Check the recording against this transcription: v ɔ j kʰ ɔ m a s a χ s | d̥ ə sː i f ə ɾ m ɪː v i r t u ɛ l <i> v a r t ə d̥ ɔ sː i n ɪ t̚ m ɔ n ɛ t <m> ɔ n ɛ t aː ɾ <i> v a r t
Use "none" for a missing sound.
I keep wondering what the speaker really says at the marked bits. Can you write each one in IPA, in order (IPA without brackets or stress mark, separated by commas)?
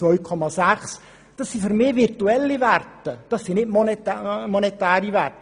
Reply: i, m, i